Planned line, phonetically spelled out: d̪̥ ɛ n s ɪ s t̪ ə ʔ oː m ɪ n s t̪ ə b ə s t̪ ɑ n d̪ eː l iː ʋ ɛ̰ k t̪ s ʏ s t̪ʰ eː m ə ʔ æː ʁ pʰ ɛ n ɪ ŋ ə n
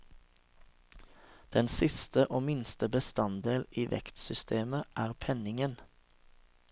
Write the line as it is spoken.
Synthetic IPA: d̪̥ ɛ n s ɪ s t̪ ə ʔ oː m ɪ n s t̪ ə b ə s t̪ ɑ n d̪ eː l iː ʋ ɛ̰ k t̪ s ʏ s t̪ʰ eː m ə ʔ æː ʁ pʰ ɛ n ɪ ŋ ə n